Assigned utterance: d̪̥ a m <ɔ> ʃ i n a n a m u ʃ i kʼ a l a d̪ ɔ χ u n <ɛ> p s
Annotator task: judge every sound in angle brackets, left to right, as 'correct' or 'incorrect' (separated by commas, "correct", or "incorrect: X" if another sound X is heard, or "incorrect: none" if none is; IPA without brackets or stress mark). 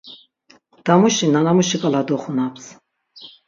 incorrect: u, incorrect: a